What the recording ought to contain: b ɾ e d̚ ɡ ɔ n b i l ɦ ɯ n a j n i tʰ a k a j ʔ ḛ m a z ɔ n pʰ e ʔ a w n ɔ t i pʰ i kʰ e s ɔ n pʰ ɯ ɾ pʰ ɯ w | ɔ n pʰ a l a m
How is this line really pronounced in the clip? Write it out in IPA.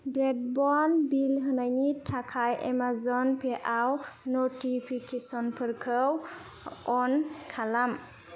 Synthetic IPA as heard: b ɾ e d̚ b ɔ n b i l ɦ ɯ n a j n i tʰ a kʰ a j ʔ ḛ m a z ɔ n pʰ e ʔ a w n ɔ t i pʰ i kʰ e s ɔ n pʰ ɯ ɾ kʰ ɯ w | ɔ n kʰ a l a m